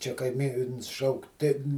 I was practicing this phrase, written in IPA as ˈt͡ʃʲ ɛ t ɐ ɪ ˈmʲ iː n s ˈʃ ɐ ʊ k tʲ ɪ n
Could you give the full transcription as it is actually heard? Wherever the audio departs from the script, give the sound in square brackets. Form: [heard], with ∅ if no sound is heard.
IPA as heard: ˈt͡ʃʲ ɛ [k] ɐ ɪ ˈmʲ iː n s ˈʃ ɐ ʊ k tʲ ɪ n